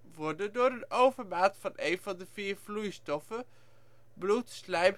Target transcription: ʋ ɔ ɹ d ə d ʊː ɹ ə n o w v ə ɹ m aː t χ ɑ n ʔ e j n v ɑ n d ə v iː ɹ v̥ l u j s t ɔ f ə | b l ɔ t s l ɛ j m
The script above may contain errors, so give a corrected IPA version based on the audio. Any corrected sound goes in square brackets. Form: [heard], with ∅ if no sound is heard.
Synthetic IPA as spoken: ʋ ɔ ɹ d ə d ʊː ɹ ə n o w v ə ɹ m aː t [f] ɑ n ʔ e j n v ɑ n d ə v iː ɹ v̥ l u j s t ɔ f ə | b l [u] t s l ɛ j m

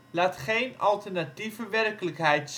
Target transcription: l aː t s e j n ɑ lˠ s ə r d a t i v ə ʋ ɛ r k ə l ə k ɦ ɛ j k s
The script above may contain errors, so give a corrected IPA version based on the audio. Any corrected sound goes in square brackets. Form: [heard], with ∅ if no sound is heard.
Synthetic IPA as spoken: l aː t [χ] e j n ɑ lˠ [t] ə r [n] a t i v ə ʋ ɛ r k ə l ə k ɦ ɛ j [t] s

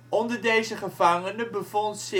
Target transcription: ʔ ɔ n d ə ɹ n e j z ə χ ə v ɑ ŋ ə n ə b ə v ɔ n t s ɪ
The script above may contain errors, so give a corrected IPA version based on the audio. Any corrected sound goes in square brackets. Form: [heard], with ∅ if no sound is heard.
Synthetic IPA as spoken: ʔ ɔ n d ə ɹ [d] e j z ə χ ə v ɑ ŋ ə n ə b ə v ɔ n t s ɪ

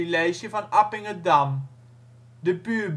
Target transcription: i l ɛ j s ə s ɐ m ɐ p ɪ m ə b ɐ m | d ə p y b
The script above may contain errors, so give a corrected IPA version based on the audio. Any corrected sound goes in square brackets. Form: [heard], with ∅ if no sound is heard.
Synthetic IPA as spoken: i l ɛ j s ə [f] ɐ [n] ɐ p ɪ [ŋ] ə [d] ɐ m | d ə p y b

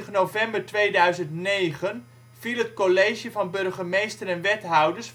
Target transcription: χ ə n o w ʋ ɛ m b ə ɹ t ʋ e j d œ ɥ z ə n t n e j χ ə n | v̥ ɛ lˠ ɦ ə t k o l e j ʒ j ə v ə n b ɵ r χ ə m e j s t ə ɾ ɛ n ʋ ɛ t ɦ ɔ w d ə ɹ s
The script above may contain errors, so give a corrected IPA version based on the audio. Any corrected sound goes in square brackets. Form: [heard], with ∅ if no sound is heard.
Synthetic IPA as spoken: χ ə n o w [v] ɛ m b ə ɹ t ʋ e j d œ ɥ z ə n t n e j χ ə n | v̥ [i] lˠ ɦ ə t k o l e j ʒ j ə v [ɑ] n b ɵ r χ ə m e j s t ə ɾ ɛ n ʋ ɛ t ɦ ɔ w d ə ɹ s

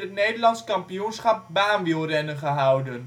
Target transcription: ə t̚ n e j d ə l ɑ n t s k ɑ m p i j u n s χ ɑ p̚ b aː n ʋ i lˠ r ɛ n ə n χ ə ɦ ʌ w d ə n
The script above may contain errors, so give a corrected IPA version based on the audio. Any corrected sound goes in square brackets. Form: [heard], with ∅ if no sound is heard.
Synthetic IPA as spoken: ə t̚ n e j d ə l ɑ n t s k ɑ m p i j u n s χ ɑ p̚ b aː n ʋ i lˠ r ɛ n ə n χ ə ɦ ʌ w d ə n

